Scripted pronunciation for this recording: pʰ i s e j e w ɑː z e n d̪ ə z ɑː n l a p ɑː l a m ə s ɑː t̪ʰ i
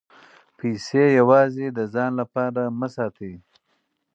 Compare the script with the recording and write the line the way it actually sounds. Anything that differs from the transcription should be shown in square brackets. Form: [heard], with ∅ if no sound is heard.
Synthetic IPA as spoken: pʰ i s e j [a] w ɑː z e [∅] d̪ ə z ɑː n l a p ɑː [ɾ] a m ə s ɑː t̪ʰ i